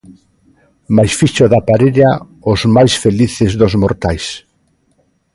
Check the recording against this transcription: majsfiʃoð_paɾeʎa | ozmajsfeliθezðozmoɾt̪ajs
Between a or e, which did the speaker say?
a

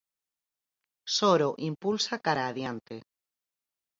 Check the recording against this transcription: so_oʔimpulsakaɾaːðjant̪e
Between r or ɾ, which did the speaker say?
ɾ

